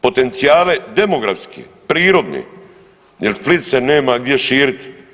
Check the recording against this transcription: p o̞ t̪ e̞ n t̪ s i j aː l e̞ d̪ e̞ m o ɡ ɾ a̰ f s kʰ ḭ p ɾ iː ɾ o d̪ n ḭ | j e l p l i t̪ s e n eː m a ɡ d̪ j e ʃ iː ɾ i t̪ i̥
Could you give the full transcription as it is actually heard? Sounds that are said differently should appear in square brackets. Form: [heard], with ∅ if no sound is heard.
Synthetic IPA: p o̞ t̪ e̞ n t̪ s i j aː l e̞ d̪ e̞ m o ɡ ɾ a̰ f s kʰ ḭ p ɾ iː ɾ o d̪ n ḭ | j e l p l i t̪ s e n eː m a ɡ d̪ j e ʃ iː ɾ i t̪ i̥